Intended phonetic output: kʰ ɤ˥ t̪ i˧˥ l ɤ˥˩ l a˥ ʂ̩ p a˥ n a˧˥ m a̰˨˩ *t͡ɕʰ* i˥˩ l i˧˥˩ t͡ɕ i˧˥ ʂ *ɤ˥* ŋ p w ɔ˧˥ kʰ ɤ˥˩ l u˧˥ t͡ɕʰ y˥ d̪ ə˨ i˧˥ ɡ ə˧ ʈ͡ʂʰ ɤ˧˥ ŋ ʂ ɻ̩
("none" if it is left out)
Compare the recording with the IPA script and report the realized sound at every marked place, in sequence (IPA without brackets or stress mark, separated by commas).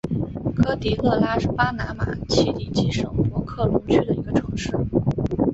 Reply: t͡ɕʰ, ɤ˨˩